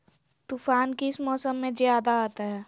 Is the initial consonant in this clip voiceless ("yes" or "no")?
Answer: yes